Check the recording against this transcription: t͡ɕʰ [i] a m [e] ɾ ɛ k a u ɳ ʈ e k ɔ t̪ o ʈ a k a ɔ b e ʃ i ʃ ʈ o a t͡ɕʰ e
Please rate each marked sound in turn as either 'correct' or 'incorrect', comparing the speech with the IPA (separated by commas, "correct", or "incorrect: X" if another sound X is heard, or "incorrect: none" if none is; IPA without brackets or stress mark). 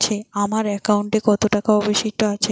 incorrect: e, incorrect: a